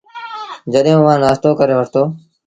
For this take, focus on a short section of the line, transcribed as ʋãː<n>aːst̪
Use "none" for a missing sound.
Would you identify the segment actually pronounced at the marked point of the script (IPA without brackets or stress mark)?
n